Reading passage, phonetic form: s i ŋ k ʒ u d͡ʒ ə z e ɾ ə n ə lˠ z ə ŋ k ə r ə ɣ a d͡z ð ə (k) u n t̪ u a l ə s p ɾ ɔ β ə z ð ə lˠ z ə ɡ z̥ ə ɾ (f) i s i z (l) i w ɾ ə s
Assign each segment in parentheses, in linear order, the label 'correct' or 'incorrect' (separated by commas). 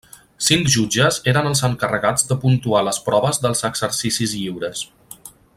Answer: incorrect, incorrect, incorrect